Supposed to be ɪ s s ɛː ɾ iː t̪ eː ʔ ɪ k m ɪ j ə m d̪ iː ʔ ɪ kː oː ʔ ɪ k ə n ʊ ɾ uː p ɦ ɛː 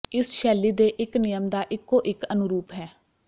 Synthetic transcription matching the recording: ɪ s ʃ ɛː l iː d̪ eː ʔ ɪ k n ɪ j ə m d̪ aː ʔ ɪ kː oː ʔ ɪ k ə n ʊ ɾ uː p ɦ ɛː